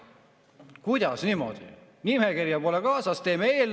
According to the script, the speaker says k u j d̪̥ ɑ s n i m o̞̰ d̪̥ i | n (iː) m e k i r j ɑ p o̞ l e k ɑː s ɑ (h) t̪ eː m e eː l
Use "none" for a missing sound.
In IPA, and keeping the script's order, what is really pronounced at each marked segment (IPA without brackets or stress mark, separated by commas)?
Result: i, s